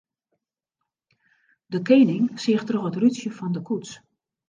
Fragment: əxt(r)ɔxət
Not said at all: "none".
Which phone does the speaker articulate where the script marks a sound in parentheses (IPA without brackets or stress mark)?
r